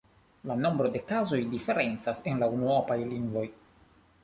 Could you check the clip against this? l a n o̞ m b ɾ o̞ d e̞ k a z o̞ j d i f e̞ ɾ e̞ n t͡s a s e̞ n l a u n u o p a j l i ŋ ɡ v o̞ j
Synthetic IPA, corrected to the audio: l a n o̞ m b ɾ o̞ d e̞ k a z o̞ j d i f e̞ ɾ e̞ n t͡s a s e̞ n l a u n u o p a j l i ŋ ɡ v o̞ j